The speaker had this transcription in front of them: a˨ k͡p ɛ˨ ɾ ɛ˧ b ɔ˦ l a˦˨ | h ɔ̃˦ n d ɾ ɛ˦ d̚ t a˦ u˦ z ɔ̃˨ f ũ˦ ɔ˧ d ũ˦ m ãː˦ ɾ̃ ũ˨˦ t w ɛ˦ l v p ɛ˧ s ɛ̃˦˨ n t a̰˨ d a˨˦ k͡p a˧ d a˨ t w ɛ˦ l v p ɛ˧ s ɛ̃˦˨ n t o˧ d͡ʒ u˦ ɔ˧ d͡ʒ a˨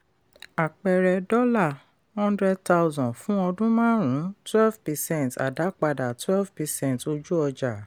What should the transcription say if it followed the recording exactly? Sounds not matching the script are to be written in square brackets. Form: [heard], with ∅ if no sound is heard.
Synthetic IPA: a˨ k͡p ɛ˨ ɾ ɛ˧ [d] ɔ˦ l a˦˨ | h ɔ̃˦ n d ɾ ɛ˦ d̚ t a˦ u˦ z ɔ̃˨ f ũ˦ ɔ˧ d ũ˦ m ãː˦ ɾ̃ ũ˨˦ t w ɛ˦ l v p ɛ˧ s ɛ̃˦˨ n t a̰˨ d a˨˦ k͡p a˧ d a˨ t w ɛ˦ l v p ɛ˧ s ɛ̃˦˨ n t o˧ d͡ʒ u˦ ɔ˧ d͡ʒ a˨

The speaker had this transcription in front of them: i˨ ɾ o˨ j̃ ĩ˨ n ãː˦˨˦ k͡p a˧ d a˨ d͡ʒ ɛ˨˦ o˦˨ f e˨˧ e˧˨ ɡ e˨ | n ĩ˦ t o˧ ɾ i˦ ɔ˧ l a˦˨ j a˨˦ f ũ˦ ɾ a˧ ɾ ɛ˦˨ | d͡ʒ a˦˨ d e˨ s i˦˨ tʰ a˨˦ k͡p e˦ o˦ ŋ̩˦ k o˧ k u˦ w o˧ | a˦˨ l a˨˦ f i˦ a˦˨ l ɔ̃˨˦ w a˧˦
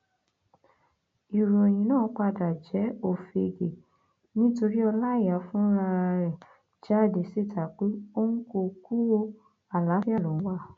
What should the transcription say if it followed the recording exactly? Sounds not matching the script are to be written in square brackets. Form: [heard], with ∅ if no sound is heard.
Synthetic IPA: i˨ ɾ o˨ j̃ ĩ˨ n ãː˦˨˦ k͡p a˧ d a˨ d͡ʒ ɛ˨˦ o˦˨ f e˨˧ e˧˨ ɡ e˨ | n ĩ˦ t o˧ ɾ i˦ ɔ˧ l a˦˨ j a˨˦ f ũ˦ ɾ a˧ ɾ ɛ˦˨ | d͡ʒ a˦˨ d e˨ s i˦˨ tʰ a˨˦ k͡p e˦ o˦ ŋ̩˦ k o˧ k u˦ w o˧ | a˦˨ l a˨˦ f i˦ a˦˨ l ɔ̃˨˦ w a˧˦

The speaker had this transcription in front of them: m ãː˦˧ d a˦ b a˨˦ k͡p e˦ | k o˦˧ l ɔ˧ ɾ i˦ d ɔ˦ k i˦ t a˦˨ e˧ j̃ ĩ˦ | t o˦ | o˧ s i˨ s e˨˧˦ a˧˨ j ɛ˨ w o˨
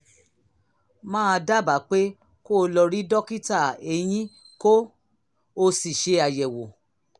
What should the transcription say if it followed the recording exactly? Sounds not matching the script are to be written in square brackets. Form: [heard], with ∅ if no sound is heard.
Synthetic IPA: m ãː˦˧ d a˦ b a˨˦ k͡p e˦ | k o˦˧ l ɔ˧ ɾ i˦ d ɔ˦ k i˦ t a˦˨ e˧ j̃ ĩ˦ | [k] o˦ | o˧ s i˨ [ʃ] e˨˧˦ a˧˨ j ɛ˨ w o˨

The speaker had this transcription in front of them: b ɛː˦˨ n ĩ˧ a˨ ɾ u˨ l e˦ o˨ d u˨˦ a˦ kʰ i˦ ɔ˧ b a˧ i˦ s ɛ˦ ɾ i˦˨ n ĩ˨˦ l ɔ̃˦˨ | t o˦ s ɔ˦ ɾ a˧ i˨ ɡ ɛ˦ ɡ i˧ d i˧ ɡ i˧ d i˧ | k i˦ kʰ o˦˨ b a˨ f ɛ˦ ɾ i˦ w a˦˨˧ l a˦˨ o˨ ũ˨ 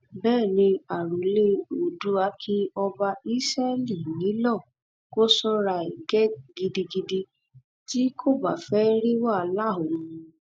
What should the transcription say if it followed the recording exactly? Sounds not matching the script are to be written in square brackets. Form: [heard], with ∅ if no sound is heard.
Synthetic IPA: b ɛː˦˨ n ĩ˧ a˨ ɾ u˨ l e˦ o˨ d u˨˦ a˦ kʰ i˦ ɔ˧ b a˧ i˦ s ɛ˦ [l] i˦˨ n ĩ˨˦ l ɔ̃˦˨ | [k] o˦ s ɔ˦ ɾ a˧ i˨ ɡ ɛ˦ ɡ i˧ d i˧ ɡ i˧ d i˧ | [t] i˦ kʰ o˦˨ b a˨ f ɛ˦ ɾ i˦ w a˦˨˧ l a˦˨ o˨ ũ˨

